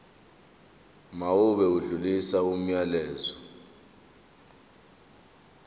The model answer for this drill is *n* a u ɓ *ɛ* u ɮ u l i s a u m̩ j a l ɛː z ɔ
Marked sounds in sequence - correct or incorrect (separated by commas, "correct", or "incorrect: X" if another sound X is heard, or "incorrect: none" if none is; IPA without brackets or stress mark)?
incorrect: m, correct